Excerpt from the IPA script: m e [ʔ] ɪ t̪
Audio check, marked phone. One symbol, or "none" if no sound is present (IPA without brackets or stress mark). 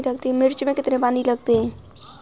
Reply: k